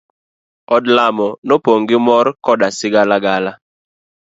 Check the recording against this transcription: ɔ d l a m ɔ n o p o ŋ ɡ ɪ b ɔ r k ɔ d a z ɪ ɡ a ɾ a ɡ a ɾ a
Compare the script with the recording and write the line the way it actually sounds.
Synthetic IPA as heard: ɔ d l a m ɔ n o p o ŋ ɡ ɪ m ɔ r k ɔ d a s ɪ ɡ a l a ɡ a l a